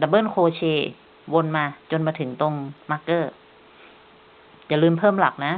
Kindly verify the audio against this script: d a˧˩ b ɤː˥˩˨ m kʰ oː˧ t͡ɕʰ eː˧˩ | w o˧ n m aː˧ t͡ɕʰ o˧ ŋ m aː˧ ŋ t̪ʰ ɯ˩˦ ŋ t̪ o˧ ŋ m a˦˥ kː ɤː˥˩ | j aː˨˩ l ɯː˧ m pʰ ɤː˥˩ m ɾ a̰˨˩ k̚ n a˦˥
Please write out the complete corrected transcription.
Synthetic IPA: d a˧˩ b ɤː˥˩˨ n kʰ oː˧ t͡ɕʰ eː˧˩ | w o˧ n m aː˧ t͡ɕ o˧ n m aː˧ t̪ʰ ɯ˩˦ ŋ t̪ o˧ ŋ m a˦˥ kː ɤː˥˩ | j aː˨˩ l ɯː˧ m pʰ ɤː˥˩ m l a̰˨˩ k̚ n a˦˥